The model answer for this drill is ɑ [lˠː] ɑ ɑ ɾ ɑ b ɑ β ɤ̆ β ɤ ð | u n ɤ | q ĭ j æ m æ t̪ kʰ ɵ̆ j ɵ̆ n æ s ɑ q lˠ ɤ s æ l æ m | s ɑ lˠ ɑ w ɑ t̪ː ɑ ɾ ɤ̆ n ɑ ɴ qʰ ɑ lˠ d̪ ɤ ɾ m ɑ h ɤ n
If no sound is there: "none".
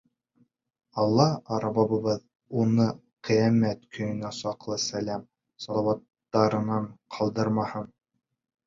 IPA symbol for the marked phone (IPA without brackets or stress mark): lˠː